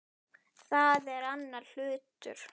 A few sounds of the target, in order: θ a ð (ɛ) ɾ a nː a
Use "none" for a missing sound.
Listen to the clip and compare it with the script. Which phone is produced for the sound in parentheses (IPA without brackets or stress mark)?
ɛ